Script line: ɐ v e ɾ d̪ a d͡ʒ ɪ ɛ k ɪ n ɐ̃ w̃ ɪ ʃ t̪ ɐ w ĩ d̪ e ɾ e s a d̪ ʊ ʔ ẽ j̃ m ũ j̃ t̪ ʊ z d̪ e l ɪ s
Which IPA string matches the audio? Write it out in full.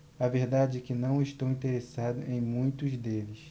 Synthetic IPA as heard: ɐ v e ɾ d̪ a d͡ʒ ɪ ɛ k ɪ n ɐ̃ w̃ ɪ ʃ t̪ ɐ w ĩ t̪ e ɾ e s a d̪ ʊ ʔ ẽ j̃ m ũ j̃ t̪ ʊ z d̪ e l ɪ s